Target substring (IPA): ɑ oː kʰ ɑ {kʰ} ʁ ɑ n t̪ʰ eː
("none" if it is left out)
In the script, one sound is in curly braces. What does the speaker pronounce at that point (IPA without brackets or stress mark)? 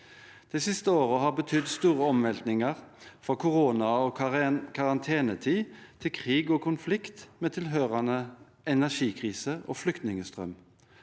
none